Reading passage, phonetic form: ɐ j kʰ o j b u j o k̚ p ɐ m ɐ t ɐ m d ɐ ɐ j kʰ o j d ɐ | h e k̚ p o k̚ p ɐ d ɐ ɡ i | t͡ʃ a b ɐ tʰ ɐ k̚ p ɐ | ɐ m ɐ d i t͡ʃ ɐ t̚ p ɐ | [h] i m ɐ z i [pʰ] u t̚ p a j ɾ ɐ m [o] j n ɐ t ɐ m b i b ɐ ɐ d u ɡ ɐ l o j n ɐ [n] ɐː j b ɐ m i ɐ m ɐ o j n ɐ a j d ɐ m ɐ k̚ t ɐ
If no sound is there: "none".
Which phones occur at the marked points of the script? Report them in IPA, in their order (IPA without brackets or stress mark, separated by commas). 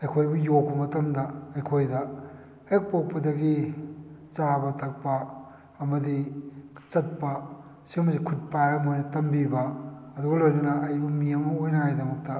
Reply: s, kʰ, o, n